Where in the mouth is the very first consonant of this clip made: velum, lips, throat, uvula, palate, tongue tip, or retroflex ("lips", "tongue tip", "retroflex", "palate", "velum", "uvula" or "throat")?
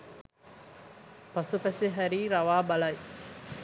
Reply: lips